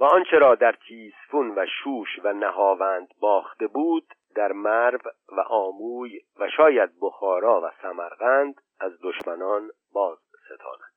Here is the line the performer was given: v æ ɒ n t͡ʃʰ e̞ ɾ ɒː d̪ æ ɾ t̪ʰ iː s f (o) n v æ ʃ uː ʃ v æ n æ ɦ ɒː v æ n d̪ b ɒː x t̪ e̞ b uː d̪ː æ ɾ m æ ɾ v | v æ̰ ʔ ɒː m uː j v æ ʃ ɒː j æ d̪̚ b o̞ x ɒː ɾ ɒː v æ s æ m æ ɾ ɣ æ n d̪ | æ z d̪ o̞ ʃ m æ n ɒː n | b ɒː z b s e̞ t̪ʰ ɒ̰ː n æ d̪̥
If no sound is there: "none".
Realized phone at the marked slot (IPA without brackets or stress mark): u